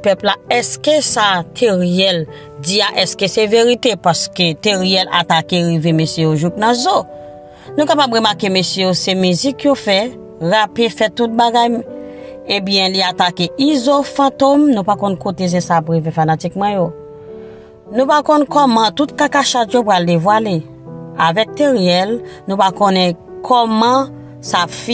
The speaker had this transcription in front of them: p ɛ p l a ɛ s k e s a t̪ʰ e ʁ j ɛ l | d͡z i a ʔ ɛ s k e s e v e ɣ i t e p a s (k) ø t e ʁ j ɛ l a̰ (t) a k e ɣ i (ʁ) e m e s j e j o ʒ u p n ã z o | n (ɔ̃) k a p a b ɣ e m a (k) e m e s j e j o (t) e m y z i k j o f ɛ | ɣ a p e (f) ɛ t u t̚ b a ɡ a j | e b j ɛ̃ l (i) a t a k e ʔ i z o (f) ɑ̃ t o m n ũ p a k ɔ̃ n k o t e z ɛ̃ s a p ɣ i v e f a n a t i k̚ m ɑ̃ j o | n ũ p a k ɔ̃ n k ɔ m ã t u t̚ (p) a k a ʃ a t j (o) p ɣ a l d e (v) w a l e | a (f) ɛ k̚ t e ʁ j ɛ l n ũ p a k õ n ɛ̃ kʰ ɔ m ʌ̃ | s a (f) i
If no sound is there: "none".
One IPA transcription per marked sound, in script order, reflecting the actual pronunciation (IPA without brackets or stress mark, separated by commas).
k, t, v, ũ, k, s, f, i, f, k, o, v, v, f